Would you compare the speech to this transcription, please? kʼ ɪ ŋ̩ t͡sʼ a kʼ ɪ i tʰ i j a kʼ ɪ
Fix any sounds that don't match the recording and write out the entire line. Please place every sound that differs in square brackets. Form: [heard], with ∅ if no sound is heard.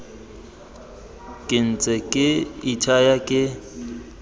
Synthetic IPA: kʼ ɪ [n̩] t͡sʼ [ɛ] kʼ ɪ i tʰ [a] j a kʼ ɪ